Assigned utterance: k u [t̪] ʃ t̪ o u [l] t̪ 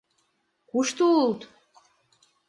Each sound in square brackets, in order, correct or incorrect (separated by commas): incorrect, correct